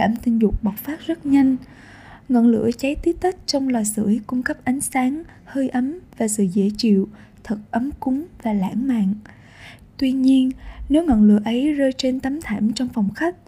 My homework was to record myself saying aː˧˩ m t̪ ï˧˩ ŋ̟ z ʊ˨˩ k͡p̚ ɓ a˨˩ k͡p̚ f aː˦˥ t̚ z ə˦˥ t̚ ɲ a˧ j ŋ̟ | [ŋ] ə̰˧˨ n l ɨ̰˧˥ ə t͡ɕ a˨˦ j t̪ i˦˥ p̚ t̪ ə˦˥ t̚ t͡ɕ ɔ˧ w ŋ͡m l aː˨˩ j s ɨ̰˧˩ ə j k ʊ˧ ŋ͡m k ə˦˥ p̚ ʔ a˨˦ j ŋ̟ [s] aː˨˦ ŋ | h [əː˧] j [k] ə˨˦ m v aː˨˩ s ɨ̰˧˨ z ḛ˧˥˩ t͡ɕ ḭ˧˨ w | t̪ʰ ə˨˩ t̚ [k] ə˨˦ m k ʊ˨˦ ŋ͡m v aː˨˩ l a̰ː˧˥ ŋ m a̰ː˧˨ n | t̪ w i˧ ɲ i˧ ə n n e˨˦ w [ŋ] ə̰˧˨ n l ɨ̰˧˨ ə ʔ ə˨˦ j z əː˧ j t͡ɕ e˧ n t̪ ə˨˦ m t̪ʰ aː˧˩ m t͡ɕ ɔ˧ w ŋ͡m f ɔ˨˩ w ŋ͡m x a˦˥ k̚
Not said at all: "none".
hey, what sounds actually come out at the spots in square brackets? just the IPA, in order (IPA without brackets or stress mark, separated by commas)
ŋ, s, əː˧, ʔ, ʔ, ŋ